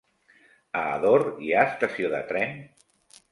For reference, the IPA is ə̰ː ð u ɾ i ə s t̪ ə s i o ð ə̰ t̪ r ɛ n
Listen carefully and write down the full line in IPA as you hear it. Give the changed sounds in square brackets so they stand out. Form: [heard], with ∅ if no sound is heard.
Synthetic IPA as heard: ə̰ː ð [o] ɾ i [a] s t̪ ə s i o ð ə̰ t̪ [ɾ] ɛ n